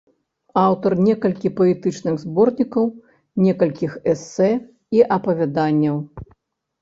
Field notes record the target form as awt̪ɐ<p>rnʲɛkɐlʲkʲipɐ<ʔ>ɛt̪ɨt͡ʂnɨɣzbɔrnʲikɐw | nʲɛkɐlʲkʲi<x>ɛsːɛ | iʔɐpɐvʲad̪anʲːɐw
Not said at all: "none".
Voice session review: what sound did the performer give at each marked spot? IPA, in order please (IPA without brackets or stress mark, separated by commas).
none, none, x